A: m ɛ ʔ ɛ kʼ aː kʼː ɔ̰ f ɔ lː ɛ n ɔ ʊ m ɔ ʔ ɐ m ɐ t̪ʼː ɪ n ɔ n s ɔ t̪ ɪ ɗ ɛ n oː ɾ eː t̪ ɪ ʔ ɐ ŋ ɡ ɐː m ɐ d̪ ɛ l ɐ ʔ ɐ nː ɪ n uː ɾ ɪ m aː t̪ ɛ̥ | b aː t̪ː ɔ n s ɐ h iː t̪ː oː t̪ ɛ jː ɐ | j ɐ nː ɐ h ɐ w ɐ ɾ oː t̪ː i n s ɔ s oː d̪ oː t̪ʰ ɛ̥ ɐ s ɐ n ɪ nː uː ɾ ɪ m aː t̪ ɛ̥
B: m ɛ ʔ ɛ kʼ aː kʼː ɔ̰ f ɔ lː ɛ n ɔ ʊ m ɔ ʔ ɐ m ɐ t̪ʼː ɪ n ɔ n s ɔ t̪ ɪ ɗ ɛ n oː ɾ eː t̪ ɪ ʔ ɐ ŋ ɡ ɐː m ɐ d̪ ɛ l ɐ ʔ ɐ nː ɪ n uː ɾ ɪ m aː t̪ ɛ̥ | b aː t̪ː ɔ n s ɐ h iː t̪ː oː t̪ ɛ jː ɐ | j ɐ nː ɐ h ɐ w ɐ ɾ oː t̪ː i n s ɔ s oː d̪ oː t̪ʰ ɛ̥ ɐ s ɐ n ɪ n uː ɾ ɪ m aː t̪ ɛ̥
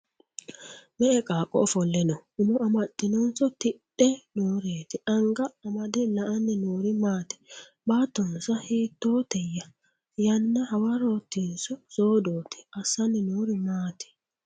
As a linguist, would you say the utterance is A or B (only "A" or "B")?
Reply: B